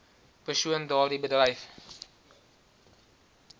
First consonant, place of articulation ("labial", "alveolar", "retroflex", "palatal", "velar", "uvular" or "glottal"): labial